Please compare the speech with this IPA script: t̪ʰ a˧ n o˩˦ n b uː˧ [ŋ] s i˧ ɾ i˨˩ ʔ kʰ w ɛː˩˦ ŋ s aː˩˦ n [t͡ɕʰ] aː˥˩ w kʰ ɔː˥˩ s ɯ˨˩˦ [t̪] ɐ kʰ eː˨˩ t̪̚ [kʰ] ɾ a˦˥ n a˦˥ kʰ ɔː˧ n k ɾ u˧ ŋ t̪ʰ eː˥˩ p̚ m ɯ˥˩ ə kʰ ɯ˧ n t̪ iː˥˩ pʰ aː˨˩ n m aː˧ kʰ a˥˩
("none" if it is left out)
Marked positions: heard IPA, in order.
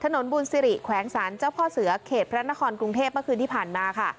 n, t͡ɕ, none, pʰ

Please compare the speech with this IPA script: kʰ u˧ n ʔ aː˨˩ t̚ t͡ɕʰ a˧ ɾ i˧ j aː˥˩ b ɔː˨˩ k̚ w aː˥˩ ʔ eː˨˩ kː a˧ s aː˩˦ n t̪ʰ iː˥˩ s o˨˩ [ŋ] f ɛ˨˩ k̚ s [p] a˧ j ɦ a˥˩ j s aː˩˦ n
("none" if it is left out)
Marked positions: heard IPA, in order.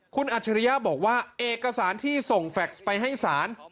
ŋ, p

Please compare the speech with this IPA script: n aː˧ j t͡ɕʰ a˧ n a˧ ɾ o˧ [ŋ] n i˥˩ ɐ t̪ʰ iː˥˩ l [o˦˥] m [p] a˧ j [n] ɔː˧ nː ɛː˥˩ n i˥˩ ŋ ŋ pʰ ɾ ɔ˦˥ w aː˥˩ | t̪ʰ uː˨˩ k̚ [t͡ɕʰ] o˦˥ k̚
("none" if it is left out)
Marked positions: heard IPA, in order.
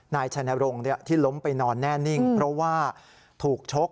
ŋ, o˦˥, p, n, t͡ɕʰ

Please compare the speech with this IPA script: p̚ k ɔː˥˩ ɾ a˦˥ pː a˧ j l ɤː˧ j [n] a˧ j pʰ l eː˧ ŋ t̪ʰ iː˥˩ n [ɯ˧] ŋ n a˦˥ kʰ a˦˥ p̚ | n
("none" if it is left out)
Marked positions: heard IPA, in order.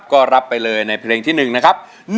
n, ɯ˨˩

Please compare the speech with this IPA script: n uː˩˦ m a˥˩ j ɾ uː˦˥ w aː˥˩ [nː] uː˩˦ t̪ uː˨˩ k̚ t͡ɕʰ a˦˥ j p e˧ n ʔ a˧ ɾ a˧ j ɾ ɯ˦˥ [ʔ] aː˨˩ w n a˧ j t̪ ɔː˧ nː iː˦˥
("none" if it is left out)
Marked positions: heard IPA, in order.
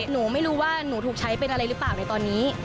n, p

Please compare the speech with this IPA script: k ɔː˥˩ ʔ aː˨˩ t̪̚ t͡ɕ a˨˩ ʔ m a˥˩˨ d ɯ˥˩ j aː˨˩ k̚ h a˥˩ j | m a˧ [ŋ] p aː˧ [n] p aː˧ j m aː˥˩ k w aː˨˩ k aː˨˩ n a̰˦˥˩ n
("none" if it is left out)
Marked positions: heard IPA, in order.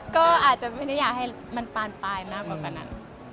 n, n

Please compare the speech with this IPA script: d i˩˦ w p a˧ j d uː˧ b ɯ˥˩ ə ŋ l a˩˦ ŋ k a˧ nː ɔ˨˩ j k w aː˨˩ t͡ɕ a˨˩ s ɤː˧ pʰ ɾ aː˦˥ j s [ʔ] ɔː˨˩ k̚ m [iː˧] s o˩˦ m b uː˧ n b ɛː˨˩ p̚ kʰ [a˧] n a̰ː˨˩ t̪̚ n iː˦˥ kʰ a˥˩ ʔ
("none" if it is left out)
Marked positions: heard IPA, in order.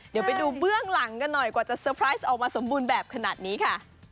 ʔ, aː˧, a˧

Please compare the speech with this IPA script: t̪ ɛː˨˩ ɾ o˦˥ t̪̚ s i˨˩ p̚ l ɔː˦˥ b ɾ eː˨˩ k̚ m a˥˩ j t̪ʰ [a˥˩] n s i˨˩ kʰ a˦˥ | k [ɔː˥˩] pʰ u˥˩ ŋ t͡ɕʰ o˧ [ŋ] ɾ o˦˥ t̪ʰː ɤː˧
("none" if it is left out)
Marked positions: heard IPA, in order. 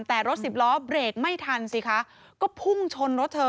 a˧, ɔː˥˩, n

